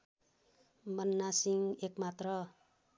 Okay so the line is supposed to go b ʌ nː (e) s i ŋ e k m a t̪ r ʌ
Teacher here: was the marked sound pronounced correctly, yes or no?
no